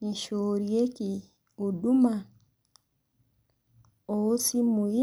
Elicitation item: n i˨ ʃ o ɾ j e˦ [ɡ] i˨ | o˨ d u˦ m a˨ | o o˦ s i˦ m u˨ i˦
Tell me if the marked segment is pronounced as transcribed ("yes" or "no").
no